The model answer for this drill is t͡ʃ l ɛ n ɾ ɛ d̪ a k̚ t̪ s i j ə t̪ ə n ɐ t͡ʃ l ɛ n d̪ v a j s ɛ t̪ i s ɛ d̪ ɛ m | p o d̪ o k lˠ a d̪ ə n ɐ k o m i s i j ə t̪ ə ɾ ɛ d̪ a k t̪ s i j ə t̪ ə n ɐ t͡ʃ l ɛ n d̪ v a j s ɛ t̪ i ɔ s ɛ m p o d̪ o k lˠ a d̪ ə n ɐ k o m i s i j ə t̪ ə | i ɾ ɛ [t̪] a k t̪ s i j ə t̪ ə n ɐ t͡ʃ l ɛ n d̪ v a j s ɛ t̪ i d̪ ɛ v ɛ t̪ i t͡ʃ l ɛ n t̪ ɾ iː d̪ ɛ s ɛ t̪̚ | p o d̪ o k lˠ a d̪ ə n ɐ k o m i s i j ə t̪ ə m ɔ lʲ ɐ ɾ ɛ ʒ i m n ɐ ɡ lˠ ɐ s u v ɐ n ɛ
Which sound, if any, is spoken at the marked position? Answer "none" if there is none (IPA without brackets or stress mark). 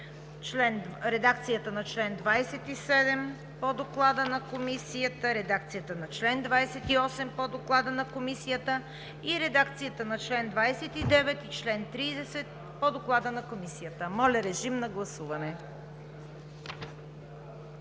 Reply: d̪